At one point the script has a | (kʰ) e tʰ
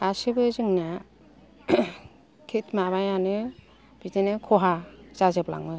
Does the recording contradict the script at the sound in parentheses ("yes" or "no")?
no